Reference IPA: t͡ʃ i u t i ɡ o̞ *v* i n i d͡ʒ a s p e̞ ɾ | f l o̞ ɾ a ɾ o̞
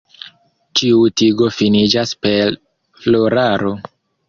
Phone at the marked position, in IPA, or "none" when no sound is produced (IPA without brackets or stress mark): f